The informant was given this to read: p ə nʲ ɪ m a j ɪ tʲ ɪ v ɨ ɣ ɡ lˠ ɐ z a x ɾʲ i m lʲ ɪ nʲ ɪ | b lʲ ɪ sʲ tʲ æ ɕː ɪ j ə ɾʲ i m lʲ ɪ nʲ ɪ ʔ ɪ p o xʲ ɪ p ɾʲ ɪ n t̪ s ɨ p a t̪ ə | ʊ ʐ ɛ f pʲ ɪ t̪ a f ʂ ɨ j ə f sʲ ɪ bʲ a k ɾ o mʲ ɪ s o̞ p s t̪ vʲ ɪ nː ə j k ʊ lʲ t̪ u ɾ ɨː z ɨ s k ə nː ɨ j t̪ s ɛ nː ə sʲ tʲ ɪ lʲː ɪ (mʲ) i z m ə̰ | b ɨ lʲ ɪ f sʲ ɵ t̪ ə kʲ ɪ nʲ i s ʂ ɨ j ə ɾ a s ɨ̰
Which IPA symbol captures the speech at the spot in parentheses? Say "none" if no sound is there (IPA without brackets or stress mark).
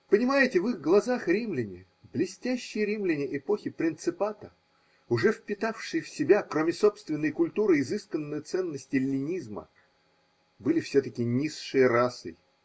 nʲ